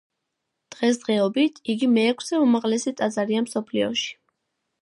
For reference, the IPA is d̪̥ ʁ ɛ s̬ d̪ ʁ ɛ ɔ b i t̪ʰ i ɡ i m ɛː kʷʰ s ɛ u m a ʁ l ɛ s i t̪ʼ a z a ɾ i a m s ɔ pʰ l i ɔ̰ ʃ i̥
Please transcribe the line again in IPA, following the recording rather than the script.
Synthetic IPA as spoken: d̪̥ ʁ ɛ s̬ d̪ ʁ ɛ ɔ b i t̪ʰ i ɡ i m ɛː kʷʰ s ɛ u m a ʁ l ɛ s i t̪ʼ a z a ɾ i a m s ɔ pʰ l i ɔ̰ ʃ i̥

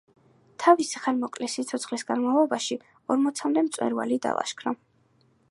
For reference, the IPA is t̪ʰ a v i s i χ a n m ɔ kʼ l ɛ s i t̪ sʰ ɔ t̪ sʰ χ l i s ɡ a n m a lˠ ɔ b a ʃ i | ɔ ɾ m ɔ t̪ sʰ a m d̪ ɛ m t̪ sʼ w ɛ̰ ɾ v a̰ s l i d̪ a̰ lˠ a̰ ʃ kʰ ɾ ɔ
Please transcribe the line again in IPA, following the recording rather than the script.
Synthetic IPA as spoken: t̪ʰ a v i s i χ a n m ɔ kʼ l ɛ s i t̪ sʰ ɔ t̪ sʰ χ l i s ɡ a n m a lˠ ɔ b a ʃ i | ɔ ɾ m ɔ t̪ sʰ a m d̪ ɛ m t̪ sʼ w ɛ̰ ɾ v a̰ l i d̪ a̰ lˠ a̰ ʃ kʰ ɾ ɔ

